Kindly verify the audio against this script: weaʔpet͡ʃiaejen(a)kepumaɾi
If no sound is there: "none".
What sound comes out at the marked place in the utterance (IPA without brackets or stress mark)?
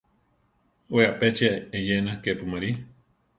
a